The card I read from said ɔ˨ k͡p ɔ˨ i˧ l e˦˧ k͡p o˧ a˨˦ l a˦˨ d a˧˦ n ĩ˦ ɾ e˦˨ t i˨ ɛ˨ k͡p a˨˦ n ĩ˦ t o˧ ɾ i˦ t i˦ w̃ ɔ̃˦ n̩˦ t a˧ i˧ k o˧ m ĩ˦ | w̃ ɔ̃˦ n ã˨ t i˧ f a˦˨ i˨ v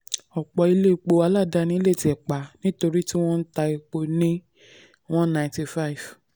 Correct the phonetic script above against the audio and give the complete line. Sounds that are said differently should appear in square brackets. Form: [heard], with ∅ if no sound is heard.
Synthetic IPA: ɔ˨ k͡p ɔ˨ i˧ l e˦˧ k͡p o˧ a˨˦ l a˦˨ d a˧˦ n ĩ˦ [l] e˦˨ t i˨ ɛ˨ k͡p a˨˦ n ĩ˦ t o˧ ɾ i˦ t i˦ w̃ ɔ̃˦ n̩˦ t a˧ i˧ [k͡p] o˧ [n] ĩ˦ | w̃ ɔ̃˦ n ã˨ t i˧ f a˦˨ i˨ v